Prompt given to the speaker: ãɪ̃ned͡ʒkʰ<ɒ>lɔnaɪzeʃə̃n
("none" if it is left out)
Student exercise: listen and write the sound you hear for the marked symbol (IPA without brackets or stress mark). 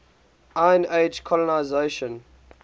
ɔ